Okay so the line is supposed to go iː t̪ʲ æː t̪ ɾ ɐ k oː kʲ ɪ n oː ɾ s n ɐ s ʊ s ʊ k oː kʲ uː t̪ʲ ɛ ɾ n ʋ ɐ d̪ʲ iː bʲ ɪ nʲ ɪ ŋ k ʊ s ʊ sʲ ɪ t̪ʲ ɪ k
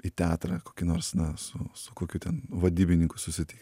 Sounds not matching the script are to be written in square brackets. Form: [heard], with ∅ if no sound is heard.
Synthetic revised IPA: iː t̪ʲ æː t̪ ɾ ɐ k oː kʲ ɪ n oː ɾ s n ɐ s ʊ s ʊ k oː kʲ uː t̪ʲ ɛ [∅] n ʋ ɐ d̪ʲ iː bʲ ɪ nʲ ɪ ŋ k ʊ s ʊ sʲ ɪ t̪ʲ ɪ k